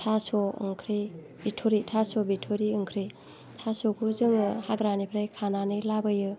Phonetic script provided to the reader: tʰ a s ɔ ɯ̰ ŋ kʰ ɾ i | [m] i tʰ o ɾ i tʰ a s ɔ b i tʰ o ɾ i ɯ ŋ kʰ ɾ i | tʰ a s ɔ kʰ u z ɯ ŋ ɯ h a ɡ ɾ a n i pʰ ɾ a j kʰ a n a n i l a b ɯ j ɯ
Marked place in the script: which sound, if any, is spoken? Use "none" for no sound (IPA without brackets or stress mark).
b